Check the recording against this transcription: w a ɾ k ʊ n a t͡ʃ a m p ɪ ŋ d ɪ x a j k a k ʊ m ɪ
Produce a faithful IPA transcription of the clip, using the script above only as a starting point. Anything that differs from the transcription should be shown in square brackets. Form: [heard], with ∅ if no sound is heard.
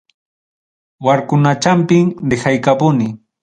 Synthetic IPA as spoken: w a ɾ k ʊ n a t͡ʃ a m p ɪ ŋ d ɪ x a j k a [p] ʊ [n] ɪ